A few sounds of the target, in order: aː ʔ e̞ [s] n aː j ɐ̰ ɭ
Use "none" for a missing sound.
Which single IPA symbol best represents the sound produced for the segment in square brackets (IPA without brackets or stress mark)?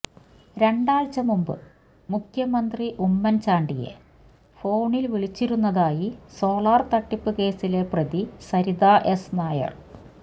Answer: s